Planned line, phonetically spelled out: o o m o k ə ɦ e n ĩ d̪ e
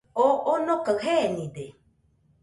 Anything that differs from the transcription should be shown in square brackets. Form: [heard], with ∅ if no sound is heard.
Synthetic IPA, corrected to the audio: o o [n] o k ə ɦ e n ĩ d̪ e